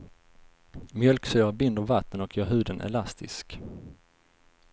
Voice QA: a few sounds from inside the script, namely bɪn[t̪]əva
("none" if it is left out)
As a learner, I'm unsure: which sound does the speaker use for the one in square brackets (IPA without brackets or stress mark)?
d̪